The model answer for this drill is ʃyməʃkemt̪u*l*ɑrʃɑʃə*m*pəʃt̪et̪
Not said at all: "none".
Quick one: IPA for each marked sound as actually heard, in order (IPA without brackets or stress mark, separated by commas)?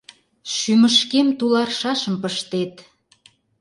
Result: l, m